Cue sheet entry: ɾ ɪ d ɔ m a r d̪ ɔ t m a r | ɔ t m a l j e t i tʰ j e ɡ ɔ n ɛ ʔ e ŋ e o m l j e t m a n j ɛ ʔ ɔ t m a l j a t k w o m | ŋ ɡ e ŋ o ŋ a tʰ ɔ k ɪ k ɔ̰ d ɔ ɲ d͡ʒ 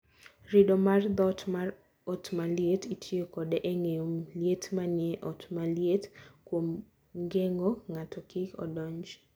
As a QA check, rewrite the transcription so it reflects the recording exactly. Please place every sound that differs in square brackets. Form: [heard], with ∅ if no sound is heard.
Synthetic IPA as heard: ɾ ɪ d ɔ m a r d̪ ɔ t m a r | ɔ t m a l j e t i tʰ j e [k] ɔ [d] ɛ ʔ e ŋ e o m l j e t m a n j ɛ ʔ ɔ t m a l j [e] t k w o m | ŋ ɡ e ŋ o ŋ a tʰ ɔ k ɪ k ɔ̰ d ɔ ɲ d͡ʒ